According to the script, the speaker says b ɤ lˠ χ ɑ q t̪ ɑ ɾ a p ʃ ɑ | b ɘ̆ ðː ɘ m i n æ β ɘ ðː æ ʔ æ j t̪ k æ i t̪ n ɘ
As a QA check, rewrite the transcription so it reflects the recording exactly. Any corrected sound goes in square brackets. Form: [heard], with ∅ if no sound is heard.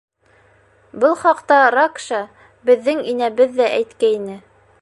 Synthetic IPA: b ɤ lˠ χ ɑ q t̪ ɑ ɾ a [k] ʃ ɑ | b ɘ̆ ðː ɘ [ŋ] i n æ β ɘ ðː æ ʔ æ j t̪ k æ i [∅] n ɘ